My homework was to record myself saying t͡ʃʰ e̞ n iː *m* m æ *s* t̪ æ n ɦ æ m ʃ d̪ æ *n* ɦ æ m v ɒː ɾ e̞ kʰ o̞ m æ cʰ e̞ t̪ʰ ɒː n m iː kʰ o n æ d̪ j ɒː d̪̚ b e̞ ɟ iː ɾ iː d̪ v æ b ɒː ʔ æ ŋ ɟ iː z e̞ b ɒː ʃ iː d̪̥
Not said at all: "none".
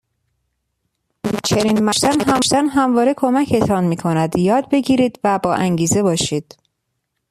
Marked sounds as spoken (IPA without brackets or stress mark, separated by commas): n, ʃ, n